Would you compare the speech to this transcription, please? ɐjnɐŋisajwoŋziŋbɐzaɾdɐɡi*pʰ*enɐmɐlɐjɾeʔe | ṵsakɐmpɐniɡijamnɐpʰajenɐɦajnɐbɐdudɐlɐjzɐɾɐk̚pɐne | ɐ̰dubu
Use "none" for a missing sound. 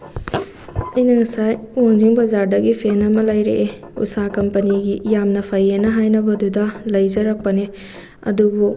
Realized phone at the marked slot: pʰ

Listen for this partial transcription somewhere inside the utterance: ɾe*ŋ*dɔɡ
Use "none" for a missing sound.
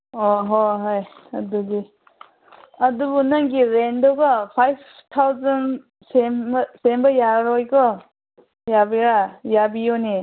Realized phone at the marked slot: n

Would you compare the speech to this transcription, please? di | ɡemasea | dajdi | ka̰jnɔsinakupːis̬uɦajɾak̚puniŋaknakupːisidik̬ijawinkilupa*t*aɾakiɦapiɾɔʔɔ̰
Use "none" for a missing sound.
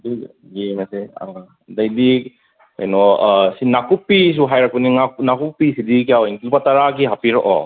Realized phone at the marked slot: t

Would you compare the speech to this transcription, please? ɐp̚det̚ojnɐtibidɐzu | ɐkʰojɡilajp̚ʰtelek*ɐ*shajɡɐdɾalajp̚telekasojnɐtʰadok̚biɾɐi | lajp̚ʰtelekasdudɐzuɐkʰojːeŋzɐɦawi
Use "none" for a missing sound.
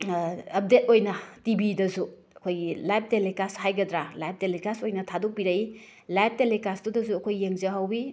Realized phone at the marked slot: a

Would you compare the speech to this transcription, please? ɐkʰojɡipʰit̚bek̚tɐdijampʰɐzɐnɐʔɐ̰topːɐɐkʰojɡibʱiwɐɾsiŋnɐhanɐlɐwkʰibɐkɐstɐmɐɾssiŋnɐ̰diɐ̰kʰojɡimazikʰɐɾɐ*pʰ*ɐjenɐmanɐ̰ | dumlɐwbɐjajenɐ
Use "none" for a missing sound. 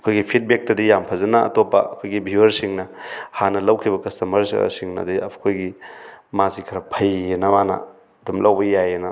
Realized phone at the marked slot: pʰ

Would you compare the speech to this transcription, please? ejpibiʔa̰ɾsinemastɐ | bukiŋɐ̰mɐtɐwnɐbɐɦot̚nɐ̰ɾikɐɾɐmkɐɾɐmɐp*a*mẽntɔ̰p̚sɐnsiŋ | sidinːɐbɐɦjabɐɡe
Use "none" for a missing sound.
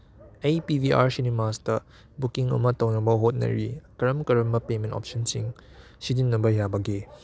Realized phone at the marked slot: e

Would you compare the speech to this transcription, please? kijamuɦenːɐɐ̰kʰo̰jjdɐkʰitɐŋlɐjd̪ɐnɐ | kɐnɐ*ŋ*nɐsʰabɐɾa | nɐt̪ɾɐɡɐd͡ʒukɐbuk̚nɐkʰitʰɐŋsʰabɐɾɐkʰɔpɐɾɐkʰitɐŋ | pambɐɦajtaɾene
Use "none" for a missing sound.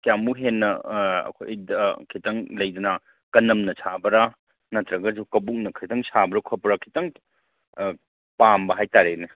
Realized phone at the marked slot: m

